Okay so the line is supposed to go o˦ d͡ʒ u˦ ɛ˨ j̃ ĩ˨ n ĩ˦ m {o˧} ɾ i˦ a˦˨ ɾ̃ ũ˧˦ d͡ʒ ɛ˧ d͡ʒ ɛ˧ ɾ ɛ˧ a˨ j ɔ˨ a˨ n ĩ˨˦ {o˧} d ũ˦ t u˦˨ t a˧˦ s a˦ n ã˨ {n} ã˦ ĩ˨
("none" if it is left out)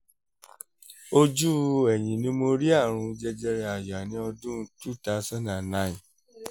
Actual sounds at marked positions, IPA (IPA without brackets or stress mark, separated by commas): o˧, ɔ˧, n